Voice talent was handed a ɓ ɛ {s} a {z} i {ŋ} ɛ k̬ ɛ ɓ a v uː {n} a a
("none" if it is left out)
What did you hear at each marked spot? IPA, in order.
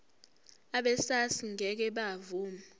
s, s, ŋ, m

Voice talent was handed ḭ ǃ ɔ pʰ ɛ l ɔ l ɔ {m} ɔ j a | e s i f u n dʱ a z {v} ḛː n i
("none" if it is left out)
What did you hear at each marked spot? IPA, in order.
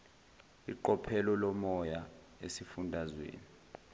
m, w

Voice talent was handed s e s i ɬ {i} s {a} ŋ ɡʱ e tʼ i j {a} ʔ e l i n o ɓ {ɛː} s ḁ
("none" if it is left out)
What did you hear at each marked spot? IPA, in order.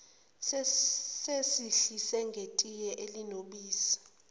i, ɛ, ɛ, iː

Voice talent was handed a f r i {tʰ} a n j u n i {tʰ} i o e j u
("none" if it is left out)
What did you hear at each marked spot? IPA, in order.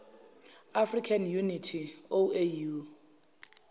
kʰ, tʰ

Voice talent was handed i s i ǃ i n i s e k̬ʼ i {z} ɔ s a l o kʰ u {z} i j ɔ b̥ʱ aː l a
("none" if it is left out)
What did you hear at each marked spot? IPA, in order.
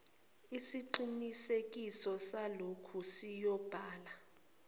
s, s

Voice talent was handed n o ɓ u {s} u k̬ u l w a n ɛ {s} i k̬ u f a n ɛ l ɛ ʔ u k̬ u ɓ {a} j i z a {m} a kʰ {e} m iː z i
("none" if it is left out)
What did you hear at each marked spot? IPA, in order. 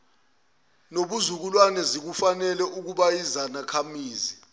z, z, a, n, a

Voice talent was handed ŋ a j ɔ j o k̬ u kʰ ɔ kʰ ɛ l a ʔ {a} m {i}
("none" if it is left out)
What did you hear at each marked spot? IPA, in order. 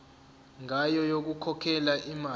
i, a

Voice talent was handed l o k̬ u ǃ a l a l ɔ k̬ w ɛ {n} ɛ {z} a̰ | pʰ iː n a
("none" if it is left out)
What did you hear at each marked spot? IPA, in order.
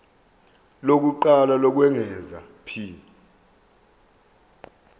ŋ, z

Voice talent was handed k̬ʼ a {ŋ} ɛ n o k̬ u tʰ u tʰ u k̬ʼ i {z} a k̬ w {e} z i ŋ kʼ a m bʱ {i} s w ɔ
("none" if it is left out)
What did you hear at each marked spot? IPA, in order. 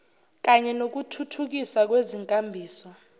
ɲ, s, e, iː

